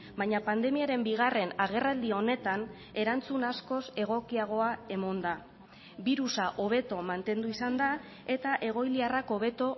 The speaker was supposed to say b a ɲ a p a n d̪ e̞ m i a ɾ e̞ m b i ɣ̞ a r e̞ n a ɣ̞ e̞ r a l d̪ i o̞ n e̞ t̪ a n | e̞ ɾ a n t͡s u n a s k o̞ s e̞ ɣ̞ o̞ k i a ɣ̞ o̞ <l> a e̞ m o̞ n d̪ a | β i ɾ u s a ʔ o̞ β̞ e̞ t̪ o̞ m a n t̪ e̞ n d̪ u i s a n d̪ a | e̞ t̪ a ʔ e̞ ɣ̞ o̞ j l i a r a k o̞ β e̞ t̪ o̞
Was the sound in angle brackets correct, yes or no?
no